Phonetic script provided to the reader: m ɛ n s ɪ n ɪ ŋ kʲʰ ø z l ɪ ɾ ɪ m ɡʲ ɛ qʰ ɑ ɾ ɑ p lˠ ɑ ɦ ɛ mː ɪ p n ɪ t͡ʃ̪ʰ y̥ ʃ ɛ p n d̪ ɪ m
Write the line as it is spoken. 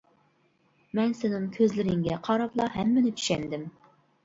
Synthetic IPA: m ɛ n s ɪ n ɪ ŋ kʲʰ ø z l ɪ ɾ ɪ ŋ ɡʲ ɛ qʰ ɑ ɾ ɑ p lˠ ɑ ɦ ɛ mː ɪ n ɪ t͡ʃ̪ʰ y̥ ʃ ɛ n d̪ ɪ m